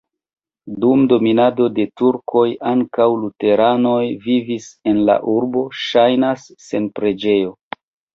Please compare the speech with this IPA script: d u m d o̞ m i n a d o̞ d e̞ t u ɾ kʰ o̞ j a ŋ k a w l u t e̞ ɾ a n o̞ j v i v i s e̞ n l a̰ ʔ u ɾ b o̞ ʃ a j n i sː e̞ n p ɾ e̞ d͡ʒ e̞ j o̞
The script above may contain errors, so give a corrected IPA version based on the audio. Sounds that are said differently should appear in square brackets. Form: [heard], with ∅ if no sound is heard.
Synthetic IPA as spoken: d u m d o̞ m i n a d o̞ d e̞ t u ɾ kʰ o̞ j a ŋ k a w l u t e̞ ɾ a n o̞ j v i v i s e̞ n l a̰ ʔ u ɾ b o̞ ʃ a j n [a] sː e̞ n p ɾ e̞ d͡ʒ e̞ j o̞